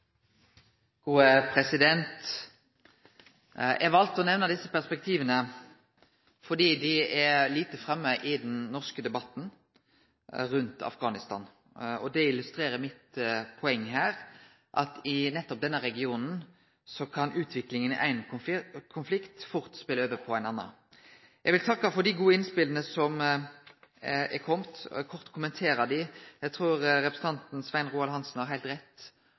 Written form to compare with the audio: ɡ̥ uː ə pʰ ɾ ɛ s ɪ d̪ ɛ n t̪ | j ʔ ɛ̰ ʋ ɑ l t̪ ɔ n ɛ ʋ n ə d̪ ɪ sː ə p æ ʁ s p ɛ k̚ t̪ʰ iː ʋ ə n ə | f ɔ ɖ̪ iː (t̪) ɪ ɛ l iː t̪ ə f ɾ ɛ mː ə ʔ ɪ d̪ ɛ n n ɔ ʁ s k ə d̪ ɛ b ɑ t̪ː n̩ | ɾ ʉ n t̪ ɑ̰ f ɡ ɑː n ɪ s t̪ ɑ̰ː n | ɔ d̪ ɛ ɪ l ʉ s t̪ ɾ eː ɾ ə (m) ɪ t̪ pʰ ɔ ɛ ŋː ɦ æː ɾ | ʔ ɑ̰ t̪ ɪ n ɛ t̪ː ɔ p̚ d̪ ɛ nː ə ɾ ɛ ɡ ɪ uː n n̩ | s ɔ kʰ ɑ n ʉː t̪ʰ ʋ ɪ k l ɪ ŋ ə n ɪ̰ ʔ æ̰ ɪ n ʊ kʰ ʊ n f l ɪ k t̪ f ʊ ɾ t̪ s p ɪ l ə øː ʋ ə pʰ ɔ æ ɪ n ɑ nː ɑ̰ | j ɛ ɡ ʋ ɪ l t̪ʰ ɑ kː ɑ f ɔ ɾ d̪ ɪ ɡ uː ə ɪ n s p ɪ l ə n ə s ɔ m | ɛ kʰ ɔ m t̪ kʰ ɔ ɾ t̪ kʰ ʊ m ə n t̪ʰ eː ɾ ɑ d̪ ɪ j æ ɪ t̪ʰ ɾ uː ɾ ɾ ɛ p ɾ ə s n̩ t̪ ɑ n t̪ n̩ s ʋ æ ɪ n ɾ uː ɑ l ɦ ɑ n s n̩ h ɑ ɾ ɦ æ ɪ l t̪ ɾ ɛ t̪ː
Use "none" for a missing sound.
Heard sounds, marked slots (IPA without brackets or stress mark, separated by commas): d̪, m